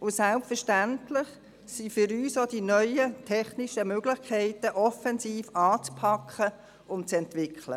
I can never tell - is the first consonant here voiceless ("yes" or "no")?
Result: yes